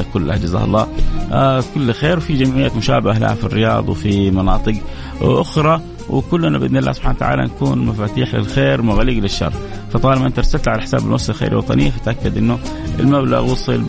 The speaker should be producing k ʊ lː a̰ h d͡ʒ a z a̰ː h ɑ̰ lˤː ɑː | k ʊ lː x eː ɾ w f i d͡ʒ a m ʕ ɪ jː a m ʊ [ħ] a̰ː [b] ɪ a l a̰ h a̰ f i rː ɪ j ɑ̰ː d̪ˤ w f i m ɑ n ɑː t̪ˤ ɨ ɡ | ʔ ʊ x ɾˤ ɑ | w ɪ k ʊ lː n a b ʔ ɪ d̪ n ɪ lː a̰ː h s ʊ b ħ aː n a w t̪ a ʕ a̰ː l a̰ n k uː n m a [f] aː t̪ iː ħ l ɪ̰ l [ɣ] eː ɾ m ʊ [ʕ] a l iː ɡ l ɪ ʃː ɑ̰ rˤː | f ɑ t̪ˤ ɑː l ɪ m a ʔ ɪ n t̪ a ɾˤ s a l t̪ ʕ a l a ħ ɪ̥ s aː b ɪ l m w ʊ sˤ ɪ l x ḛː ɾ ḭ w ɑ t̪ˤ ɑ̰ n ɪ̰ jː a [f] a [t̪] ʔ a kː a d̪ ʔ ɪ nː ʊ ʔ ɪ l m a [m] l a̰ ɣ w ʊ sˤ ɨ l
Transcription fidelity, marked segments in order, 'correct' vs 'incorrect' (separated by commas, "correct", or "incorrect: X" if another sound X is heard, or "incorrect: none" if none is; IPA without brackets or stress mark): incorrect: ʃ, correct, correct, incorrect: x, incorrect: ɣ, correct, correct, incorrect: b